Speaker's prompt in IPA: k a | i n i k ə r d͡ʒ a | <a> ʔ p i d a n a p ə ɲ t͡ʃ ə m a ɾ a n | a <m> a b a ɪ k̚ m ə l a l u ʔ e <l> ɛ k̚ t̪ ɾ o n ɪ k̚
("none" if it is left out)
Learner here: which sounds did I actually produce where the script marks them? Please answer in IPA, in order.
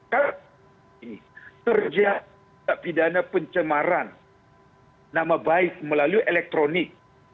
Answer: a, m, l

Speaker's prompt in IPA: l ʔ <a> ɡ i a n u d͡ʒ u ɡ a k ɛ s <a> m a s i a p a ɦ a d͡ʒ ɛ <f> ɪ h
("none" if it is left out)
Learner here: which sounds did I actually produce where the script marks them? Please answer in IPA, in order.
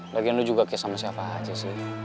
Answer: a, a, s

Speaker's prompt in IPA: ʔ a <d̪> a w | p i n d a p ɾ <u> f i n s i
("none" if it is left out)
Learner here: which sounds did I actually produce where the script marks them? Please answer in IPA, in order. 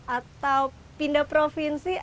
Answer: t̪, o

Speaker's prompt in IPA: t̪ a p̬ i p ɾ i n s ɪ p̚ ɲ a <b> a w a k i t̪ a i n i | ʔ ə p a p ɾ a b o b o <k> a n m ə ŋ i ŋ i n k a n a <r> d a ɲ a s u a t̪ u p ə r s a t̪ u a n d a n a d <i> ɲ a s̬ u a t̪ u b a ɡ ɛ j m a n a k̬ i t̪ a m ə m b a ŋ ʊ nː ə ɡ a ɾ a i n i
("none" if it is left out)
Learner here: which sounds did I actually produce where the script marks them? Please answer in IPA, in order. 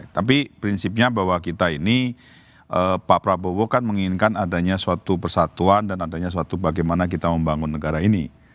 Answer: b, k, none, a

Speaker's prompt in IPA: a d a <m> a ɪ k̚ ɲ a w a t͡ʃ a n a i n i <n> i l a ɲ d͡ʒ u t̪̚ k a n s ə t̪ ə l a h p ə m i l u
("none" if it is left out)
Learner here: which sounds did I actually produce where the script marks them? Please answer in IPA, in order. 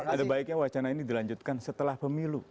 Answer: b, d

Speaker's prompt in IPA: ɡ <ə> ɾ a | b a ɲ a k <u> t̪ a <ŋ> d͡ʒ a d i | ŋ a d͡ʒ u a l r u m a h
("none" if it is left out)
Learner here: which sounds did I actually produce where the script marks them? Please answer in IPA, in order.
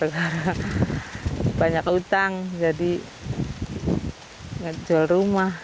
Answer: a, u, ŋ

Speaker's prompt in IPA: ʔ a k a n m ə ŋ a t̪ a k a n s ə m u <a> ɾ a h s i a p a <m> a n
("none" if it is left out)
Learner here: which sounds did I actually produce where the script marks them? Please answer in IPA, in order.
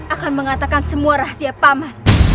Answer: a, m

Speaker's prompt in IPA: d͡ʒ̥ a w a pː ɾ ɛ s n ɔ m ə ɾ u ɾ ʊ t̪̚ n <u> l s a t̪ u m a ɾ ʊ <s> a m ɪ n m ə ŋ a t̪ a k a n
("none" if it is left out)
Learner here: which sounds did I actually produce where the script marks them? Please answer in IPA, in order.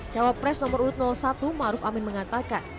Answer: ɔ, f

